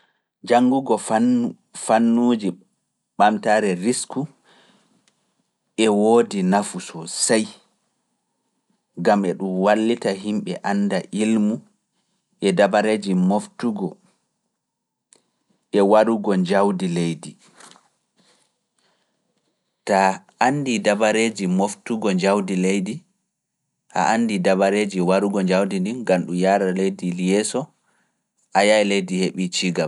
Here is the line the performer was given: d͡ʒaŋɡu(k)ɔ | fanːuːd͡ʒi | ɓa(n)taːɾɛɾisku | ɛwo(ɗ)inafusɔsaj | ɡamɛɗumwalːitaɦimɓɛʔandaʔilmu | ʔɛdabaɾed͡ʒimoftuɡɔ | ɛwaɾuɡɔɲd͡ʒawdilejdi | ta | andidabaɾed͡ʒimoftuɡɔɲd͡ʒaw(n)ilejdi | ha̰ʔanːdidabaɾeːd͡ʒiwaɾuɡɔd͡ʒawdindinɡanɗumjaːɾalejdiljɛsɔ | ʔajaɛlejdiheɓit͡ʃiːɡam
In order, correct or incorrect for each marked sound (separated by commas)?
incorrect, incorrect, incorrect, incorrect